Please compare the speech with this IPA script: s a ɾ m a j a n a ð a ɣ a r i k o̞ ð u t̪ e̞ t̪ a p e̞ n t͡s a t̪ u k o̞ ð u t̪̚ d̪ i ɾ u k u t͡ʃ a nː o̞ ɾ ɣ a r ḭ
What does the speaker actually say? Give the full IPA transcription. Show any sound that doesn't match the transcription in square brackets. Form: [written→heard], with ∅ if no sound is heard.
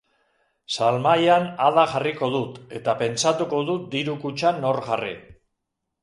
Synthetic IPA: s a [ɾ→l] m a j a n a ð a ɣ a r i k o̞ ð u t̪ e̞ t̪ a p e̞ n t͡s a t̪ u k o̞ ð u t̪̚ d̪ i ɾ u k u t͡ʃ a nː o̞ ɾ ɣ a r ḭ

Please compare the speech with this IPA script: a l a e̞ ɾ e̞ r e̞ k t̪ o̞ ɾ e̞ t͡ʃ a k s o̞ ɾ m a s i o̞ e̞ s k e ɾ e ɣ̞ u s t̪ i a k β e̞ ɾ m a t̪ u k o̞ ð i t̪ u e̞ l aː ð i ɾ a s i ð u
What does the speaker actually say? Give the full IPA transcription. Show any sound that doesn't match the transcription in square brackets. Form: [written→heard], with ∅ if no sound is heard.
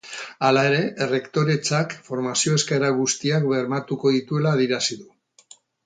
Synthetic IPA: a l a e̞ ɾ e̞ r e̞ k t̪ o̞ ɾ e̞ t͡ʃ a k [s→f] o̞ ɾ m a s i o̞ e̞ s k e ɾ [e→a] ɣ̞ u s t̪ i a k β e̞ ɾ m a t̪ u k o̞ ð i t̪ u e̞ l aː ð i ɾ a s i ð u

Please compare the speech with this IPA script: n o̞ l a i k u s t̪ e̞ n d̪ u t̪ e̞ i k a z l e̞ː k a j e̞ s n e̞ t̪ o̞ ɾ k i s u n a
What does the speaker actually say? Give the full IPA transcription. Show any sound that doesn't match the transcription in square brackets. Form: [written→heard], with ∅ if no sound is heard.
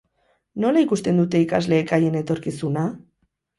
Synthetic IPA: n o̞ l a i k u s t̪ e̞ n d̪ u t̪ e̞ i k a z l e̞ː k a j e̞ [s→∅] n e̞ t̪ o̞ ɾ k i s u n a

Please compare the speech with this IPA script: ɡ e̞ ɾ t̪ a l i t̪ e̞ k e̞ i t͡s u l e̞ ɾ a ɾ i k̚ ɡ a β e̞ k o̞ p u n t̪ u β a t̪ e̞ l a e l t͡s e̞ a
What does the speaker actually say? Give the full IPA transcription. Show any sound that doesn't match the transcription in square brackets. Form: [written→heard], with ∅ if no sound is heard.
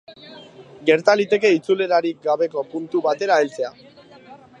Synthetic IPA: ɡ e̞ ɾ t̪ a l i t̪ e̞ k e̞ i t͡s u l e̞ ɾ a ɾ i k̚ ɡ a β e̞ k o̞ p u n t̪ u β a t̪ e̞ [l→ɾ] a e l t͡s e̞ a

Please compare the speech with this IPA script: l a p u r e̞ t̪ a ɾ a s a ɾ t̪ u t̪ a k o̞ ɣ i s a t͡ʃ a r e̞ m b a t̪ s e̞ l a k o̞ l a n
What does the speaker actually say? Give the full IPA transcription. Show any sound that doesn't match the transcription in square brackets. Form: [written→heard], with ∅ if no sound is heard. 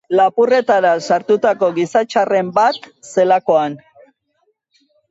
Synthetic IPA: l a p u r e̞ t̪ a ɾ a s a ɾ t̪ u t̪ a k o̞ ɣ i s a t͡ʃ a r e̞ m b a t̪ s e̞ l a k o̞ [l→∅] a n

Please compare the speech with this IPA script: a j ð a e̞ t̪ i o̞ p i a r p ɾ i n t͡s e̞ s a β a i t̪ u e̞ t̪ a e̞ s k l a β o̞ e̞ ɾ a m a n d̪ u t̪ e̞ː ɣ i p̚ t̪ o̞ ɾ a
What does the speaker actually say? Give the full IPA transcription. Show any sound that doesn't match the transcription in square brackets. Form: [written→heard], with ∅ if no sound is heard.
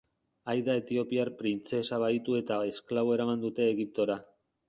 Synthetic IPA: a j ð a e̞ t̪ i o̞ p i a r p ɾ i n t͡s e̞ s a β a i t̪ u e̞ t̪ a e̞ s k l a β o̞ e̞ ɾ a m a n d̪ u t̪ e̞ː ɣ i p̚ t̪ o̞ ɾ a

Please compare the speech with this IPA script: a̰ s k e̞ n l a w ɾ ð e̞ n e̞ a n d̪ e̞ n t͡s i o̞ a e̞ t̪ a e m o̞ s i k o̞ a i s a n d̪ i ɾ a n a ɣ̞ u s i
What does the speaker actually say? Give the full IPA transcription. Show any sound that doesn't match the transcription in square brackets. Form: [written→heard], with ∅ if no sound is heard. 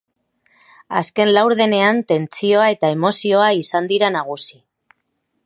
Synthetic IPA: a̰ s k e̞ n l a w ɾ ð e̞ n e̞ a n [d̪→t̪] e̞ n t͡s i o̞ a e̞ t̪ a e m o̞ s i [k→∅] o̞ a i s a n d̪ i ɾ a n a ɣ̞ u s i

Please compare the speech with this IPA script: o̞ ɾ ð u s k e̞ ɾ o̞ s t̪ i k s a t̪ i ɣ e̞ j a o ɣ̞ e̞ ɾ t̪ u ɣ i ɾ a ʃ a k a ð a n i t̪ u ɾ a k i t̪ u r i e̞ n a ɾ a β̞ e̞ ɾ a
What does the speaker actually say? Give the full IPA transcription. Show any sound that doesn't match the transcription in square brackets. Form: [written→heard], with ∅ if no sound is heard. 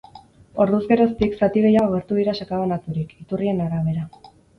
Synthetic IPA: o̞ ɾ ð u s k e̞ ɾ o̞ s t̪ i k s a t̪ i ɣ e̞ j a o ɣ̞ e̞ ɾ t̪ u [ɣ→ð] i ɾ a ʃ a k a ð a n [i→a] t̪ u ɾ [a→i] k i t̪ u r i e̞ n a ɾ a β̞ e̞ ɾ a

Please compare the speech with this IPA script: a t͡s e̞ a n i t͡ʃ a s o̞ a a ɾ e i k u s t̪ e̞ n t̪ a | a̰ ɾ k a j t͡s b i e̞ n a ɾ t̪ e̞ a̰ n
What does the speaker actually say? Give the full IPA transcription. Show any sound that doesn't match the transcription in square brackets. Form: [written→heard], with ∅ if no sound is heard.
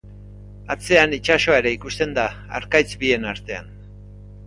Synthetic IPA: a t͡s e̞ a n i t͡ʃ a s o̞ a [a→e] ɾ e i k u s t̪ e̞ n [t̪→d̪] a | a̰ ɾ k a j t͡s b i e̞ n a ɾ t̪ e̞ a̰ n

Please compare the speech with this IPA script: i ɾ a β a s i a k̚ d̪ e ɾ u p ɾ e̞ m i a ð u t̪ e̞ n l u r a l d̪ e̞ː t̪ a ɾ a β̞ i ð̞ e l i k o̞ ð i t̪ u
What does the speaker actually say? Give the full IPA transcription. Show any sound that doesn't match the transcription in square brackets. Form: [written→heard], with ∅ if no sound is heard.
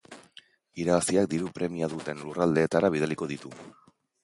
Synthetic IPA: i ɾ a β a s i a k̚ d̪ [e→i] ɾ u p ɾ e̞ m i a ð u t̪ e̞ n l u r a l d̪ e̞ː t̪ a ɾ a β̞ i ð̞ e l i k o̞ ð i t̪ u

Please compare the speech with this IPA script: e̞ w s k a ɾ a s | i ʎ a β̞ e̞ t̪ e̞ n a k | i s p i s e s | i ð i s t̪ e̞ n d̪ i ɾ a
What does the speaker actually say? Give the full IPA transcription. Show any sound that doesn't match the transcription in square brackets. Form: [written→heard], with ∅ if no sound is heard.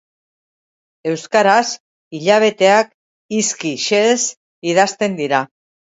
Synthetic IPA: e̞ w s k a ɾ a s | i ʎ a β̞ e̞ t̪ e̞ [n→∅] a k | i s [p→k] i [s→ʃ] e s | i ð [i→a] s t̪ e̞ n d̪ i ɾ a

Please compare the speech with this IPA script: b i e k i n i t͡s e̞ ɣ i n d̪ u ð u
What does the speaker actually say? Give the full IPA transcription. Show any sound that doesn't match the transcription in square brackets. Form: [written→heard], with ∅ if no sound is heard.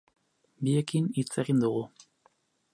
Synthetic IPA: b i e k i n i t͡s e̞ ɣ i n d̪ u [ð→ɣ] u

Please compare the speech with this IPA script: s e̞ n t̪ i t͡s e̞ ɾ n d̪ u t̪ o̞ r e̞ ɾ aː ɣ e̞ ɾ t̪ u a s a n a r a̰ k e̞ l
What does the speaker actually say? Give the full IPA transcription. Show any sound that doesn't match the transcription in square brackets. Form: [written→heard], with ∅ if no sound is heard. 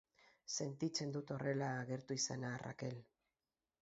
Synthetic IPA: s e̞ n t̪ i t͡s e̞ [ɾ→∅] n d̪ u t̪ o̞ r e̞ [ɾ→l] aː ɣ e̞ ɾ t̪ u [a→i] s a n a r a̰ k e̞ l

